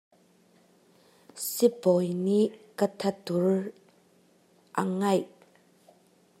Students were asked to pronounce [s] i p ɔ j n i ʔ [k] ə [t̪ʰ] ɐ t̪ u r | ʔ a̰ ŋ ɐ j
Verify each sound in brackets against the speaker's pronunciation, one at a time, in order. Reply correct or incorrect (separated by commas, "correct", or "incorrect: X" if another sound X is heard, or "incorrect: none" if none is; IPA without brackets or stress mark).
correct, correct, correct